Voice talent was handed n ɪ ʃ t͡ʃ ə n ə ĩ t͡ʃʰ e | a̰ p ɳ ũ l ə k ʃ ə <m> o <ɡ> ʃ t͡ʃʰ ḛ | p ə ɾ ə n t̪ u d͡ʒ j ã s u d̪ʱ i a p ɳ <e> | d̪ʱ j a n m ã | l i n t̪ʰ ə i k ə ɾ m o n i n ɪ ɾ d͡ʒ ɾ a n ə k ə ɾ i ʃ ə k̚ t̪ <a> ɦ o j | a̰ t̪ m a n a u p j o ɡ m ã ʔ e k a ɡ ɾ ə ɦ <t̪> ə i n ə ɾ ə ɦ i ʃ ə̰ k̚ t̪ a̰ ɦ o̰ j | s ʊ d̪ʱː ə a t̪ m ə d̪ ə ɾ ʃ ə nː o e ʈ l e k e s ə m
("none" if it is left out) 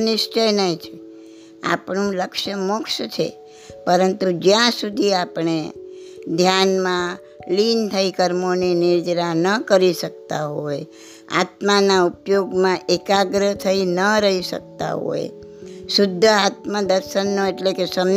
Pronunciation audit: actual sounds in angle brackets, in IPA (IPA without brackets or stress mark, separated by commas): m, k, e, a, t̪ʰ